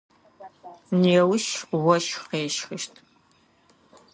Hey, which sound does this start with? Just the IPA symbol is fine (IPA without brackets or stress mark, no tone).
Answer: n